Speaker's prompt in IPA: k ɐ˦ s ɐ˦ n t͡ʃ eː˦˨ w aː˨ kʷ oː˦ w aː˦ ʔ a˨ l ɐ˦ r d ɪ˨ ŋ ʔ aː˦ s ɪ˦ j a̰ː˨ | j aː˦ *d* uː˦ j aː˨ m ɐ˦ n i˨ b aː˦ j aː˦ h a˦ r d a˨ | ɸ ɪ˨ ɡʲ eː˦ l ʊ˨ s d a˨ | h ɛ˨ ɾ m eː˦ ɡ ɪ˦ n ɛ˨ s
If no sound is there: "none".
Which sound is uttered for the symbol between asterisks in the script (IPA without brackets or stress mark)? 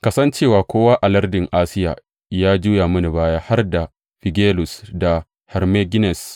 d͡ʒ